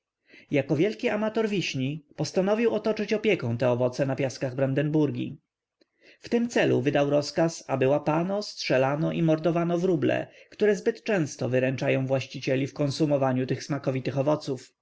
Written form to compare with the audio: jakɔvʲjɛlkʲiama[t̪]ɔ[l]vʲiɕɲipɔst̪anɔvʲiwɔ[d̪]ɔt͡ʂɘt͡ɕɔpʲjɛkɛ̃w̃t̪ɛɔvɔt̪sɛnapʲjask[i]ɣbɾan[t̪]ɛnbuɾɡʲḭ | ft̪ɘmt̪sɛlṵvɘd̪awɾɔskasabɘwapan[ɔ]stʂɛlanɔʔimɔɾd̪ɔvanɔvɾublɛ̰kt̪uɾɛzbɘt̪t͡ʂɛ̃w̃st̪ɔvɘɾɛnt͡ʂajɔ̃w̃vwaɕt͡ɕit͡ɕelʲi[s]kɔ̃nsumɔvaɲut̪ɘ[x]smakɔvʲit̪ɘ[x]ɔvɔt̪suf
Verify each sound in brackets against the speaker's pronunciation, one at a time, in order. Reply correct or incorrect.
correct, incorrect, incorrect, incorrect, incorrect, correct, incorrect, correct, correct

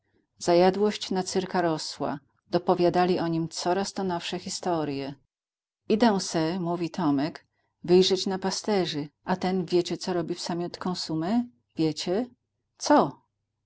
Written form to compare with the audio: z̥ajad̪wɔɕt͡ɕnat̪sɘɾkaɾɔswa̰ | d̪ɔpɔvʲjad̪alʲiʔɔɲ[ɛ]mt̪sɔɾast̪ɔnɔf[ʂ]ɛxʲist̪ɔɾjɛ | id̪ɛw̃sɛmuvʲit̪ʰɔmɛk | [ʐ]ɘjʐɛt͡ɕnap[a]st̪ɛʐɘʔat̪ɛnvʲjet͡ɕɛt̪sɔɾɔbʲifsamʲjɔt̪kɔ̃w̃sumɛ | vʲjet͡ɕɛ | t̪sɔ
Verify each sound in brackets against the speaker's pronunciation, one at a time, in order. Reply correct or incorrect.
incorrect, correct, incorrect, correct

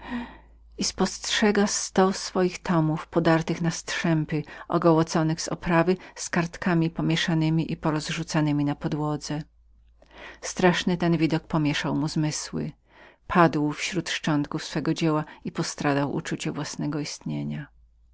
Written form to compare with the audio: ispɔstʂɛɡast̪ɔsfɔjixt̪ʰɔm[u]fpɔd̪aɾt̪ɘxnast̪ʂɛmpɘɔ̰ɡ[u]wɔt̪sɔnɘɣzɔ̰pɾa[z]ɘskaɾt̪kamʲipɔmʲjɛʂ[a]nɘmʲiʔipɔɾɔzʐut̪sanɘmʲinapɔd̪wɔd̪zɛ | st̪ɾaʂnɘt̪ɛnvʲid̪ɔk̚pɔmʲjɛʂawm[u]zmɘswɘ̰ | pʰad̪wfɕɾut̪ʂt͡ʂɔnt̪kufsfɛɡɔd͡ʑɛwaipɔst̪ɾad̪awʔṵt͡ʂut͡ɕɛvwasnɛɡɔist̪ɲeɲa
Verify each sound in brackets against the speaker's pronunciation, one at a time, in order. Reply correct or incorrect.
correct, incorrect, incorrect, correct, correct

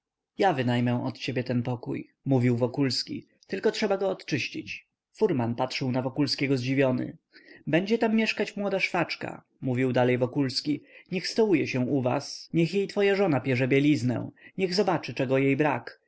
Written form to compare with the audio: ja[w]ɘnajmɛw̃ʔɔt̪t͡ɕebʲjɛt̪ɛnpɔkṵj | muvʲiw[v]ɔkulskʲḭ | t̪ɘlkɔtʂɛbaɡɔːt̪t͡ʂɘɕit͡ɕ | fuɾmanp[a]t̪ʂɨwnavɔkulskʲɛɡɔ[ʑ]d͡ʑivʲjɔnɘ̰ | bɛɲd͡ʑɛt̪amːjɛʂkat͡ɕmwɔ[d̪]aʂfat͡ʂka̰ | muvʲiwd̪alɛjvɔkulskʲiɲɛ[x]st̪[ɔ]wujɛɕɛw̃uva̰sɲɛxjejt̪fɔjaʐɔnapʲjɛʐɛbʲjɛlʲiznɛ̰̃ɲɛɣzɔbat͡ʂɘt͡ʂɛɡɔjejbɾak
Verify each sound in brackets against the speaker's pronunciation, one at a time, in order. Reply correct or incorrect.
incorrect, correct, correct, incorrect, correct, correct, correct

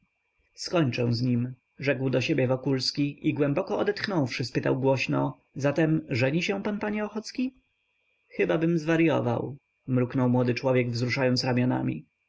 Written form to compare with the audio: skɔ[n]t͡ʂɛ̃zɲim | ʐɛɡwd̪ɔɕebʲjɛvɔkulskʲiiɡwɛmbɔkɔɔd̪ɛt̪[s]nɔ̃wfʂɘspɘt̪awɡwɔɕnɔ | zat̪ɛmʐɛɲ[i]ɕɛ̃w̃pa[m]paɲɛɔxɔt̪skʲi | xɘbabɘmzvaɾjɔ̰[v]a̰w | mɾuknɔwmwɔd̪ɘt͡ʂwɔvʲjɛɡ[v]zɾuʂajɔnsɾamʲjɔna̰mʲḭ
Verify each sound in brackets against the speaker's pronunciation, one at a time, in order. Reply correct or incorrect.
incorrect, incorrect, correct, incorrect, correct, correct

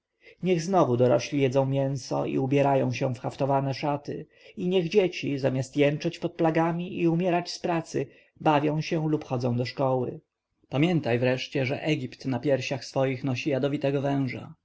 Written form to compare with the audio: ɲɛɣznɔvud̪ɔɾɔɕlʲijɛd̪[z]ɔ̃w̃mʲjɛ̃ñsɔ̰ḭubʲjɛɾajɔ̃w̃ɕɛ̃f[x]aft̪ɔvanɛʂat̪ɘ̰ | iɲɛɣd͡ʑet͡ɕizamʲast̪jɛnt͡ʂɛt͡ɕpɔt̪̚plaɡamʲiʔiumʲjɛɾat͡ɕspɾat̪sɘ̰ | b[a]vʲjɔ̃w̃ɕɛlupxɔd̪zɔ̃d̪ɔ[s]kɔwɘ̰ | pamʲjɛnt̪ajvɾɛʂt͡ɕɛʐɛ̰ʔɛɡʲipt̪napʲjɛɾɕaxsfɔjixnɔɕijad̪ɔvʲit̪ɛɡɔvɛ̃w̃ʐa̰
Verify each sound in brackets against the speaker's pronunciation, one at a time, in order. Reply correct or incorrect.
correct, correct, correct, incorrect

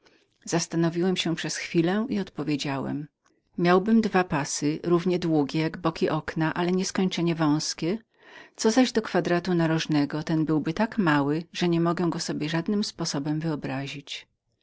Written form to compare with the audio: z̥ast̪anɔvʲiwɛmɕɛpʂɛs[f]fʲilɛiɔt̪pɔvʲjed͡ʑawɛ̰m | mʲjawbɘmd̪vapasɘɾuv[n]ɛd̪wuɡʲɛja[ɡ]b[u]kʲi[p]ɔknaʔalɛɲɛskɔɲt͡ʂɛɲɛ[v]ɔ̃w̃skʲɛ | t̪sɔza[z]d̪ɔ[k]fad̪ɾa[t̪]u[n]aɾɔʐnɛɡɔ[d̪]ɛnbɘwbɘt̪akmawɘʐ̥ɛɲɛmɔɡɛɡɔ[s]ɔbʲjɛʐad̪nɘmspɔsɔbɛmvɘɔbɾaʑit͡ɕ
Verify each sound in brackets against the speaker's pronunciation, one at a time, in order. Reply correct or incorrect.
incorrect, incorrect, correct, incorrect, incorrect, correct, incorrect, correct, correct, correct, incorrect, correct

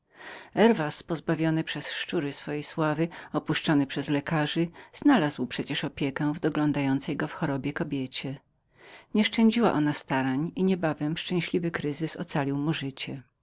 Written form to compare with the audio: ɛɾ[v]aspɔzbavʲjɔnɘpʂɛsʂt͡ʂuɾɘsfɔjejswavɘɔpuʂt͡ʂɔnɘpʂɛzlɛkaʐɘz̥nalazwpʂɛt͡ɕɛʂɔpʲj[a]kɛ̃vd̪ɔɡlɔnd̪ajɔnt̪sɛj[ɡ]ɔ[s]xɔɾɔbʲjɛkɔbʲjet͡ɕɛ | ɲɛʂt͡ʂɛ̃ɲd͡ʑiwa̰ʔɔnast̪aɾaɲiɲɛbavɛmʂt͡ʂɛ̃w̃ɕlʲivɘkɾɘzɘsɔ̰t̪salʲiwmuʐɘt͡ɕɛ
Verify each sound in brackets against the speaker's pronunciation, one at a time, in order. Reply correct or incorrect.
correct, incorrect, correct, incorrect

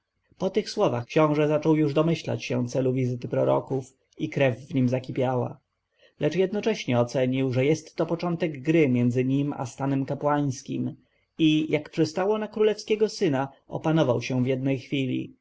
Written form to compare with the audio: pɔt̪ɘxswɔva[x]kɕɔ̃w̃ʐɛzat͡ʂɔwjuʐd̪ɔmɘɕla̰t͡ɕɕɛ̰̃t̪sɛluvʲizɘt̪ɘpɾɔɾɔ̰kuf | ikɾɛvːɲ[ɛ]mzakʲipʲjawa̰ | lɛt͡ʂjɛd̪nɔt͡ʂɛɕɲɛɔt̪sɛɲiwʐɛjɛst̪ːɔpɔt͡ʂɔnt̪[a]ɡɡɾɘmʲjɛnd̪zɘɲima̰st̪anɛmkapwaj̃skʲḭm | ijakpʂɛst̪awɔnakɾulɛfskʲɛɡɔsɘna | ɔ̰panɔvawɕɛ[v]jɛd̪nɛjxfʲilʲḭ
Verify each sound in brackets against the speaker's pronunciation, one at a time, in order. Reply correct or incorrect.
correct, incorrect, incorrect, correct

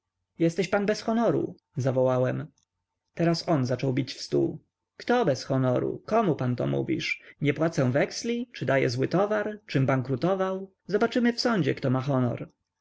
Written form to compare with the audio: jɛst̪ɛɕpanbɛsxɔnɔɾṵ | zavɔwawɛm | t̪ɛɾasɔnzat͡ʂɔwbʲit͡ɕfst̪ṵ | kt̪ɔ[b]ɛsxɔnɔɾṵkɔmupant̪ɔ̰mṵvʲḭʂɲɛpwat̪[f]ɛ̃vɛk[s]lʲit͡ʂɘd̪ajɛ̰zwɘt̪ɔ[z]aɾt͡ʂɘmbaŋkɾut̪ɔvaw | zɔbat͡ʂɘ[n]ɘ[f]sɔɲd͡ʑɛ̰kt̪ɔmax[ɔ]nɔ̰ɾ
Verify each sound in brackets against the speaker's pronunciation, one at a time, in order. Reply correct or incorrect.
correct, incorrect, correct, incorrect, incorrect, correct, correct

